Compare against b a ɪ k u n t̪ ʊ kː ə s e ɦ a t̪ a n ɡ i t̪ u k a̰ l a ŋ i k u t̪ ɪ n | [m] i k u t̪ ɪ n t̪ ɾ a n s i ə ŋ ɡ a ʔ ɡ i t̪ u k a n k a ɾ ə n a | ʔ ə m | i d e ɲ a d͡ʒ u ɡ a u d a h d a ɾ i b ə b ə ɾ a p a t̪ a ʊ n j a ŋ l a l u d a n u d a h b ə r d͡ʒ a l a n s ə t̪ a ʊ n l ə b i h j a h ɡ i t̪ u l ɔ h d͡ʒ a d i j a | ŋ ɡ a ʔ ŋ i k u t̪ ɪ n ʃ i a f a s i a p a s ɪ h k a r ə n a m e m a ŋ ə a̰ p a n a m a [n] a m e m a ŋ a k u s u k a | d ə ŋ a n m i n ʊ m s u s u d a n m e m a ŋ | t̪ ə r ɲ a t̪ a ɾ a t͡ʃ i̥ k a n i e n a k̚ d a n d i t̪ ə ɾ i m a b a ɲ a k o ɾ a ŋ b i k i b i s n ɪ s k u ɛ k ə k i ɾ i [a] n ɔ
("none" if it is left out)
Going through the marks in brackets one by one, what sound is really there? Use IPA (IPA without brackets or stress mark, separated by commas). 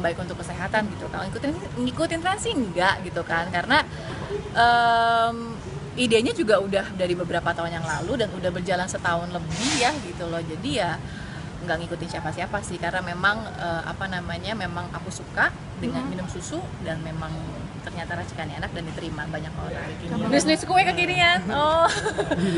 ŋ, ɲ, a